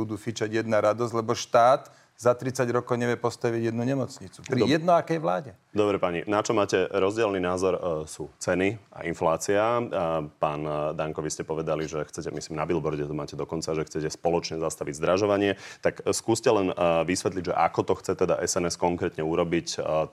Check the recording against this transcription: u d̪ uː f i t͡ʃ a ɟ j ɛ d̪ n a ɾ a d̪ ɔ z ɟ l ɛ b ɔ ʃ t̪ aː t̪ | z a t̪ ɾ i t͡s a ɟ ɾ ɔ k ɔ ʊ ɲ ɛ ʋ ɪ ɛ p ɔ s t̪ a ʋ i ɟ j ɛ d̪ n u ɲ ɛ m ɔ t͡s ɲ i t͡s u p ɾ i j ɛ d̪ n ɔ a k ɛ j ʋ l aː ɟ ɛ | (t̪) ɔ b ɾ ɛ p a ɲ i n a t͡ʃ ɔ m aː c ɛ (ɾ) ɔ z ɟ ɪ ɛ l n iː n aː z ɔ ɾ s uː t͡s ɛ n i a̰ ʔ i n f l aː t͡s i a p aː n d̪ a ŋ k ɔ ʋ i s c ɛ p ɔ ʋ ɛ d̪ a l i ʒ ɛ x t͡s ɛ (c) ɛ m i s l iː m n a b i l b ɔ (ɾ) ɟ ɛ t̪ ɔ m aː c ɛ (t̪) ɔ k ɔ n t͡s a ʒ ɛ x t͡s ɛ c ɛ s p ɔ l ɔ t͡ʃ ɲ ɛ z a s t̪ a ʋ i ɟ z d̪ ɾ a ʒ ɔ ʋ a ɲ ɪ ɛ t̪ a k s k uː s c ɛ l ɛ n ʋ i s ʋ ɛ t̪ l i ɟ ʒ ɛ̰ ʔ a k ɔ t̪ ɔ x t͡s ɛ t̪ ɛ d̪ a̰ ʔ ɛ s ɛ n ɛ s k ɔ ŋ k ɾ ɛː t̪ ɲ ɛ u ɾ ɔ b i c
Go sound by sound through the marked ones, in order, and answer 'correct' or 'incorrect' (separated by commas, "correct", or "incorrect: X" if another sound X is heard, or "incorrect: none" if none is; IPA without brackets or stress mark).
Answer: incorrect: d̪, correct, correct, correct, incorrect: d̪